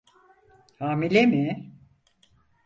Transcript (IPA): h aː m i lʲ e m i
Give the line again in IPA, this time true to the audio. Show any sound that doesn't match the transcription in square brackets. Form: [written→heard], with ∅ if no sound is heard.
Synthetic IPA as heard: h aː m i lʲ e m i